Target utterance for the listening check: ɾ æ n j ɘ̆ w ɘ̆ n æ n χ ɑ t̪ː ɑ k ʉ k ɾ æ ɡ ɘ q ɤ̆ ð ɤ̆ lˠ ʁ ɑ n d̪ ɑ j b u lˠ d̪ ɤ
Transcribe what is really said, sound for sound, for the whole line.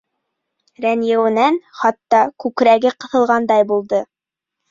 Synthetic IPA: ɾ æ n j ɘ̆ w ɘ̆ n æ n χ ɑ t̪ː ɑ k ʉ k ɾ æ ɡ ɘ q ɤ̆ θ ɤ̆ lˠ ʁ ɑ n d̪ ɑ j b u lˠ d̪ ɤ